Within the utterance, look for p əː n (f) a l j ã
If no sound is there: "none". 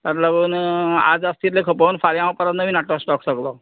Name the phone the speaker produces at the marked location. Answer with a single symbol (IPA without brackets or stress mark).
f